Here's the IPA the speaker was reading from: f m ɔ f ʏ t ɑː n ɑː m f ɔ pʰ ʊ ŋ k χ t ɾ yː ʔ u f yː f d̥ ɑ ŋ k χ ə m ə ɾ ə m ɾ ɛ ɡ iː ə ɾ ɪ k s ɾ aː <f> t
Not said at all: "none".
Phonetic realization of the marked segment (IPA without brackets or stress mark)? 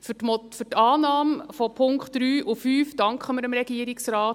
none